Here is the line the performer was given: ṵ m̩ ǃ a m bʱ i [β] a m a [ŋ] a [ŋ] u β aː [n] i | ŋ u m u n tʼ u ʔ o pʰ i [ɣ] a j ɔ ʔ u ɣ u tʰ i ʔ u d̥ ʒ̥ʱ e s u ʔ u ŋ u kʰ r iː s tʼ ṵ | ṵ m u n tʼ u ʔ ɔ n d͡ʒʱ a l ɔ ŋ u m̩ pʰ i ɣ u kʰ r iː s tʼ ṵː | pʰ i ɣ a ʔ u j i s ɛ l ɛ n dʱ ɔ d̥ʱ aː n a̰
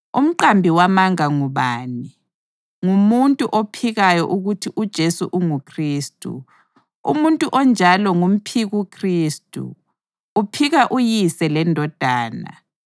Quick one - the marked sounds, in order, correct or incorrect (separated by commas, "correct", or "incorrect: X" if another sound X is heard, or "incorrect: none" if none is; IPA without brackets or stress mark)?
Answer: incorrect: w, correct, correct, correct, correct